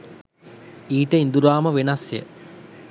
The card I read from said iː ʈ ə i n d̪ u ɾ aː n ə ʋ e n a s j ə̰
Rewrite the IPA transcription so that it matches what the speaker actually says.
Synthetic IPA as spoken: iː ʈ ə i n d̪ u ɾ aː m ə ʋ e n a s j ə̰